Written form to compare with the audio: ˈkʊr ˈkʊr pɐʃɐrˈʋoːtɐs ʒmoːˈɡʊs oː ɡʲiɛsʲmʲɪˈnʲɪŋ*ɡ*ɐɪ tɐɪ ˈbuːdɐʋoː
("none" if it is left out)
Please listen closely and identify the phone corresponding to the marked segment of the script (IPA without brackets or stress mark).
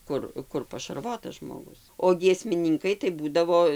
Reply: k